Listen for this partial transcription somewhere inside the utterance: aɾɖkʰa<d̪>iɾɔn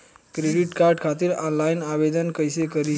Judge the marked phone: incorrect: t̪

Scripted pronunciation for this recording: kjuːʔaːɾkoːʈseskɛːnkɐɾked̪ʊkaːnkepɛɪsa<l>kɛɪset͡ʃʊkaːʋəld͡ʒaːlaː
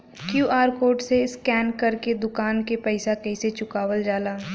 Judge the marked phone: incorrect: none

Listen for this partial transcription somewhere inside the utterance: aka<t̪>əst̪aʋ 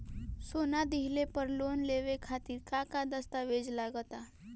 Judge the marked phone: incorrect: d̪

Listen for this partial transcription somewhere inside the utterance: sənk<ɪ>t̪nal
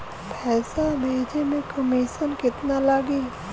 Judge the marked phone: correct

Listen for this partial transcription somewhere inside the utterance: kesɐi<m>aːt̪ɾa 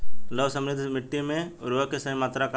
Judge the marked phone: correct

